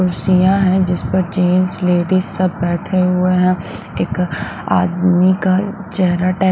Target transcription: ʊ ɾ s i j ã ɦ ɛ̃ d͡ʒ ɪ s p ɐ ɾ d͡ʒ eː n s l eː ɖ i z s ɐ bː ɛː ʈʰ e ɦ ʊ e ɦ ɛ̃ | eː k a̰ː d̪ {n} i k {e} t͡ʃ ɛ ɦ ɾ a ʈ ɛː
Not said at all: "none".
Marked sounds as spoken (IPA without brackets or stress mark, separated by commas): m, a